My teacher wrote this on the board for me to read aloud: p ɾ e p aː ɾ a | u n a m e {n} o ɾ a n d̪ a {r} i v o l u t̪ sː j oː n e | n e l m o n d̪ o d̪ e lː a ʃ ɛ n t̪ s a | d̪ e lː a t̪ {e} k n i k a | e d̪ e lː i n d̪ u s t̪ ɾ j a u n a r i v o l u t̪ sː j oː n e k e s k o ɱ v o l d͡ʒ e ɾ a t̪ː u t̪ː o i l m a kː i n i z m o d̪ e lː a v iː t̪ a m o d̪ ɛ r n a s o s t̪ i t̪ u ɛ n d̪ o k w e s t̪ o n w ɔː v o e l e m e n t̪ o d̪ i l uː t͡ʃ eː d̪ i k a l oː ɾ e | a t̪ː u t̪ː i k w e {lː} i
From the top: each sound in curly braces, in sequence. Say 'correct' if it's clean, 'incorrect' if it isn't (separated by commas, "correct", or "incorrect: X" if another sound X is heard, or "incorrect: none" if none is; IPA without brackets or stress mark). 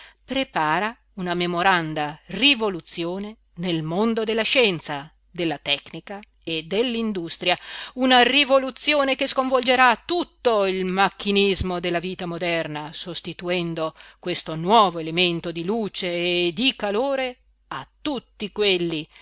incorrect: m, correct, incorrect: ɛ, correct